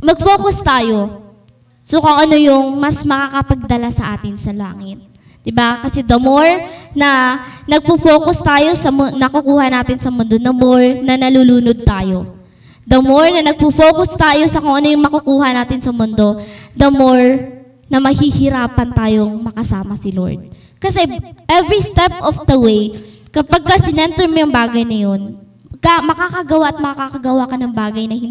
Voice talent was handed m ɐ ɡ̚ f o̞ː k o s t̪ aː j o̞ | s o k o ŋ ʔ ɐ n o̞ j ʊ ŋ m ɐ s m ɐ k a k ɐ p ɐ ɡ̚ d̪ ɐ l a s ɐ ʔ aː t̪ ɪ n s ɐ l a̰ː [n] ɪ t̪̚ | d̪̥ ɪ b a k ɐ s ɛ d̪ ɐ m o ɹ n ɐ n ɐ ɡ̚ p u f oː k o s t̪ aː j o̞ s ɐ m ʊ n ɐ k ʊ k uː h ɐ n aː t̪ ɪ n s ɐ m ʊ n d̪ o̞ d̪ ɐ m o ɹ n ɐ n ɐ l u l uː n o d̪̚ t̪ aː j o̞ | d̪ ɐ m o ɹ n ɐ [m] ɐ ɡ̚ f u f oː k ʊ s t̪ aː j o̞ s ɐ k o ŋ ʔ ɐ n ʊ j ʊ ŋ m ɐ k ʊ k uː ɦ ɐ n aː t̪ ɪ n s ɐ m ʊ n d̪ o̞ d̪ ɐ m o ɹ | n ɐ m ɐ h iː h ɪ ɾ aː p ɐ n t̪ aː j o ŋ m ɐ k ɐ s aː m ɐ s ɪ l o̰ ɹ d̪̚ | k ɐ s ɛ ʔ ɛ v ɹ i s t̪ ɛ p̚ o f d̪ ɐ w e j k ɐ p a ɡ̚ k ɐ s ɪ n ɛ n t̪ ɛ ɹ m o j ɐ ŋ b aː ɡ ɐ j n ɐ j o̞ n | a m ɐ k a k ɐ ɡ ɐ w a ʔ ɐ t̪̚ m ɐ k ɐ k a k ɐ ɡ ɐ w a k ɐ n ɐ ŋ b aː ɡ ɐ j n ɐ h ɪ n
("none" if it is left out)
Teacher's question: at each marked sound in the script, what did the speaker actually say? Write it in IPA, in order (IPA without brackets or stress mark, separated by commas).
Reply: ŋ, n